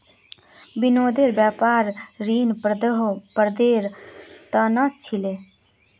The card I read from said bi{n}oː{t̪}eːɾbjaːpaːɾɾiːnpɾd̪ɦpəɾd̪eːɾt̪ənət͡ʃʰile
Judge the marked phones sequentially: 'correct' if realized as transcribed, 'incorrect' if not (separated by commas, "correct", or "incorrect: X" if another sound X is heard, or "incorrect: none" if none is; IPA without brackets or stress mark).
correct, incorrect: d̪